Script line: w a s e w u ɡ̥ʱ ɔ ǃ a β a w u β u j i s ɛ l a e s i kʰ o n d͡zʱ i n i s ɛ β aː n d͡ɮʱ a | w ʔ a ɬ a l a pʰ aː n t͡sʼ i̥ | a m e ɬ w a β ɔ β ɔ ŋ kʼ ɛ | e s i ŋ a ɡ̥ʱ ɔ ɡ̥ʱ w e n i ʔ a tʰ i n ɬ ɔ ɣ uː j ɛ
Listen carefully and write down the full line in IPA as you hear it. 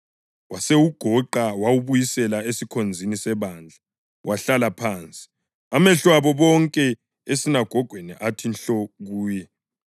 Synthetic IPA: w a s e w u ɡ̥ʱ ɔ ǃ a w a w u β u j i s ɛ l a e s i kʰ o n d͡zʱ i n i s ɛ β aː n d͡ɮʱ a | w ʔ a ɬ a l a pʰ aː n t͡sʼ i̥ | a m ɛ ɬ w a β ɔ β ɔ ŋ kʼ ɛ | e s i n a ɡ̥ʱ ɔ ɡ̥ʱ w e n i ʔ a tʰ i n ɬ ɔ ɣ uː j ɛ